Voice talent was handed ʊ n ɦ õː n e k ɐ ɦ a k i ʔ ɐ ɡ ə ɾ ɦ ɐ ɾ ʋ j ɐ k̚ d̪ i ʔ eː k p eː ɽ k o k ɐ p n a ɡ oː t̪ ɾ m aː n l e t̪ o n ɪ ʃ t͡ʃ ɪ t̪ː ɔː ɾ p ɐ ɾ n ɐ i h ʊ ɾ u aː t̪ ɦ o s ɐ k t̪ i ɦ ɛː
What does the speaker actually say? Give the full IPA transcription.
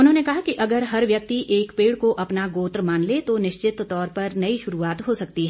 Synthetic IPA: ʊ n ɦ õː n e k ɐ ɦ a k i ʔ ɐ ɡ ə ɾ ɦ ɐ ɾ ʋ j ɐ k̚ t̪ i ʔ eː k p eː ɽ k o ʔ ɐ p n a ɡ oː t̪ ɾ m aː n l e t̪ o n ɪ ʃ t͡ʃ ɪ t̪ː ɔː ɾ p ɐ ɾ n ɐ i ʃ ʊ ɾ u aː t̪ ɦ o s ɐ k t̪ i ɦ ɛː